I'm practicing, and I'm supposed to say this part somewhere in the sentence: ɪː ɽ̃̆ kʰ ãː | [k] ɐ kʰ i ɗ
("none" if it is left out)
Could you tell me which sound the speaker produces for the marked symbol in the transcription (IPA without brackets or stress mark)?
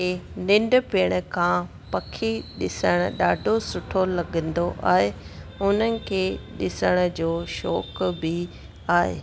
p